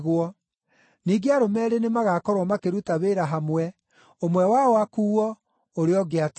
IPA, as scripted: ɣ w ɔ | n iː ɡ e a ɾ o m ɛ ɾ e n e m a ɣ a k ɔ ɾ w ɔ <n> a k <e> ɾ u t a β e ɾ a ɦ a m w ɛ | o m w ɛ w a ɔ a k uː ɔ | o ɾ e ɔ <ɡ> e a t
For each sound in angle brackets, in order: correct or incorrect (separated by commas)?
incorrect, correct, correct